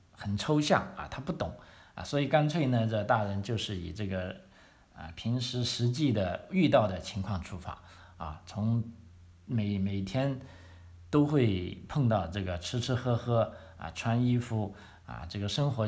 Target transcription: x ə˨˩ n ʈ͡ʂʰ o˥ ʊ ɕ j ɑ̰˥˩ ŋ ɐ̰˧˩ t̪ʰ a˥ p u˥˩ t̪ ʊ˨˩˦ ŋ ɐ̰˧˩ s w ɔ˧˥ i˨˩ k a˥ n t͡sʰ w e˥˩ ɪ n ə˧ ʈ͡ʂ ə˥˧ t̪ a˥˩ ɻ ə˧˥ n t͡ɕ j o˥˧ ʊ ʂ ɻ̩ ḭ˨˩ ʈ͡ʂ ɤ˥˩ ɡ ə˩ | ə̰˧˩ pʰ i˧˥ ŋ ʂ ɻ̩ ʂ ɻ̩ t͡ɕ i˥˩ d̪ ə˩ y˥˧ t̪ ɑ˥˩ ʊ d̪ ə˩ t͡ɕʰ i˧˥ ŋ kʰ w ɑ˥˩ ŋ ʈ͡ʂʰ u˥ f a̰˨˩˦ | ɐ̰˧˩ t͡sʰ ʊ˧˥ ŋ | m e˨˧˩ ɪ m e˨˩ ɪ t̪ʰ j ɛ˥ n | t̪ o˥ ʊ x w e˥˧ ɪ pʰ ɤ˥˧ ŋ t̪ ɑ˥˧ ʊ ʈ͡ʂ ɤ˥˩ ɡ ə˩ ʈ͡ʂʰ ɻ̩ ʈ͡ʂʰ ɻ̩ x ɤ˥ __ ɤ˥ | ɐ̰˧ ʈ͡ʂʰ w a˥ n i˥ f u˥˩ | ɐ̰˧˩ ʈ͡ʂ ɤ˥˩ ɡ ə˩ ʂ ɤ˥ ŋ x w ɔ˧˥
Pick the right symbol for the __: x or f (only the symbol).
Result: x